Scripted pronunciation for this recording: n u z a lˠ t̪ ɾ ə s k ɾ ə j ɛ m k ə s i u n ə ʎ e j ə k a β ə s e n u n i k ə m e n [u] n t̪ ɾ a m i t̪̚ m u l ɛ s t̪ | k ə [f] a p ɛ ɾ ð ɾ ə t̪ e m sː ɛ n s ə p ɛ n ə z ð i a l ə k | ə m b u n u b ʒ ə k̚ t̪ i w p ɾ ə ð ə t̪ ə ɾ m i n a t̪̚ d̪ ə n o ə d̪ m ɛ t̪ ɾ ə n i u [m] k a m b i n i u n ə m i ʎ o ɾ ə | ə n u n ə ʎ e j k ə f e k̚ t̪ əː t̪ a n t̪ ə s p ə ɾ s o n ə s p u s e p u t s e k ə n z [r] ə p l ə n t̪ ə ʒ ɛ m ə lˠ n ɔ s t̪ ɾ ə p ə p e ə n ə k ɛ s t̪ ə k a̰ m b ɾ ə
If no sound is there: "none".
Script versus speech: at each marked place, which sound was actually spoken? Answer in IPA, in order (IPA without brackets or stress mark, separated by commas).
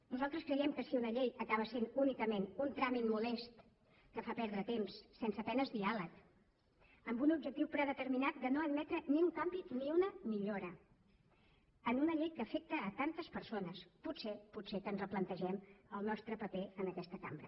u, f, ŋ, r